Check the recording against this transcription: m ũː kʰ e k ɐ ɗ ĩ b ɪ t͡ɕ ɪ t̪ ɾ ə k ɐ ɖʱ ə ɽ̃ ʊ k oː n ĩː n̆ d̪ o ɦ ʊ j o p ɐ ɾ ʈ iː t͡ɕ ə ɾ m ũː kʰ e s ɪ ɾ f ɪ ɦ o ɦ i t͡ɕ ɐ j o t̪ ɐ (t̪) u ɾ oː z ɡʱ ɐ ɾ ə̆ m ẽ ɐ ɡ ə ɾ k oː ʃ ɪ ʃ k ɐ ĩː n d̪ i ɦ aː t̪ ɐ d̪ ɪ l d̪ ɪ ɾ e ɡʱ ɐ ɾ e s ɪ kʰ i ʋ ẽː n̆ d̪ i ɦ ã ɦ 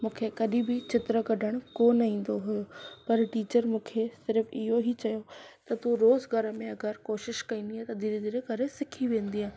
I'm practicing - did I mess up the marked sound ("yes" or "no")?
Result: no